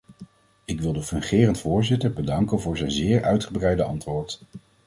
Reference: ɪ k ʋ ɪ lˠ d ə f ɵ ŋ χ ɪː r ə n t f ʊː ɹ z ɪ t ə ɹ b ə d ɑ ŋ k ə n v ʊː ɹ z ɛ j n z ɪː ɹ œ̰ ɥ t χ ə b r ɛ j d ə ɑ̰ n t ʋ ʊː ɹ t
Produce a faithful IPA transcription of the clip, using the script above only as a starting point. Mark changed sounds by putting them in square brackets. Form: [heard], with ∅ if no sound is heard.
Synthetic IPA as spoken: ɪ k ʋ ɪ lˠ d ə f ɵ ŋ χ ɪː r ə n t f ʊː ɹ z ɪ t ə ɹ b ə d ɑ ŋ k ə n v ʊː ɹ z ɛ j n z ɪː ɹ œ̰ ɥ t χ ə b r ɛ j d ə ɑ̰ n t ʋ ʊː ɹ t